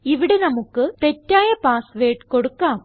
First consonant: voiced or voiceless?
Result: voiced